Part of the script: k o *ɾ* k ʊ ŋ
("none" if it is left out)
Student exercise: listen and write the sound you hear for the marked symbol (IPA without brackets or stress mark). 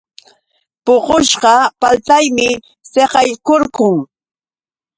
ɾ